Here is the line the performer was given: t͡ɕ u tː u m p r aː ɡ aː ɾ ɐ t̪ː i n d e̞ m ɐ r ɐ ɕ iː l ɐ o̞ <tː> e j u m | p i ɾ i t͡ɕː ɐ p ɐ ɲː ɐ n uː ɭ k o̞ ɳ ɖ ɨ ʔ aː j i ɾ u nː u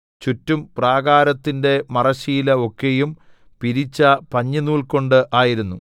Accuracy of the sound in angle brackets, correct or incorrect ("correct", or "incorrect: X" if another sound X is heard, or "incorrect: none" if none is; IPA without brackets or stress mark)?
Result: incorrect: kː